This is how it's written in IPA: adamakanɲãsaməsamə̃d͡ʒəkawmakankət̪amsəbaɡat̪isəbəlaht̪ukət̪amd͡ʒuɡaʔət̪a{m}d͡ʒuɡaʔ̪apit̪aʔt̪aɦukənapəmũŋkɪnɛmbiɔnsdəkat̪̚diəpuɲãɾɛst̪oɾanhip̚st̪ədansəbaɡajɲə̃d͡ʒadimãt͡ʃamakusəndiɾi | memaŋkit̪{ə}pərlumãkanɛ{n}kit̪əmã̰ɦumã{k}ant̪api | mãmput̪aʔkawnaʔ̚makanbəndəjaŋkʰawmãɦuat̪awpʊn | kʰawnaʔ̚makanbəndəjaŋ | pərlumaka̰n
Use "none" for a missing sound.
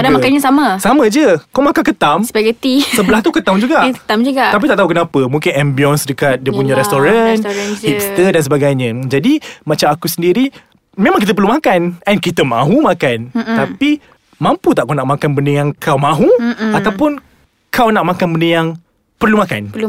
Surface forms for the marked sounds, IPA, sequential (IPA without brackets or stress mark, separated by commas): m, ə, n, k